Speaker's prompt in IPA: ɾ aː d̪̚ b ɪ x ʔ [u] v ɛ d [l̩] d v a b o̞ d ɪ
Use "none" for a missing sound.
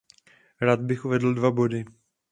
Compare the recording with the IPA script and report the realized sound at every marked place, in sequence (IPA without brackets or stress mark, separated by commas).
u, l̩